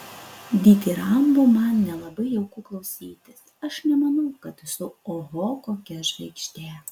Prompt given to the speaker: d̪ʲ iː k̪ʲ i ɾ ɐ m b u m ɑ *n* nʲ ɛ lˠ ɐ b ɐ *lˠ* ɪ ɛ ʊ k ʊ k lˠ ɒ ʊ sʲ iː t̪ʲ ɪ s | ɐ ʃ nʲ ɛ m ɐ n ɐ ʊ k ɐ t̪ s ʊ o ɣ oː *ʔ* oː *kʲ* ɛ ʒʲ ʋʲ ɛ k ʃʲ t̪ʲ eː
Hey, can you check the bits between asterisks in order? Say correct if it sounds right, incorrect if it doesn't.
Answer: correct, incorrect: none, incorrect: k, correct

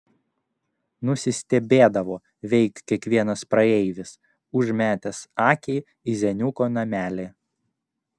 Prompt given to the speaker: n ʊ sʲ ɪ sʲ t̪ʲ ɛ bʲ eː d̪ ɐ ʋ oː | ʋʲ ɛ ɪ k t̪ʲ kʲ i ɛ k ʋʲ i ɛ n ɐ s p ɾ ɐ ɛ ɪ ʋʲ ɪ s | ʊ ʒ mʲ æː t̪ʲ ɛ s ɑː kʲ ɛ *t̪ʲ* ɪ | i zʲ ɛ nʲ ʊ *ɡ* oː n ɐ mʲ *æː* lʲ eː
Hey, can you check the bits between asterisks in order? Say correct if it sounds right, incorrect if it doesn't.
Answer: incorrect: none, incorrect: k, correct

